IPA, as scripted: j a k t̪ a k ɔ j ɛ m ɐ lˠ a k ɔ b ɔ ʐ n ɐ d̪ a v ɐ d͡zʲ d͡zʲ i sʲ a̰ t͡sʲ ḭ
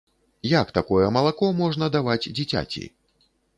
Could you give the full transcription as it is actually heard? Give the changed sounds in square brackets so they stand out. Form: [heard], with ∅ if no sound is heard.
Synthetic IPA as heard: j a k t̪ a k ɔ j ɛ m ɐ lˠ a k ɔ [m] ɔ ʐ n ɐ d̪ a v [a] d͡zʲ d͡zʲ i [t͡sʲ] a̰ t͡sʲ ḭ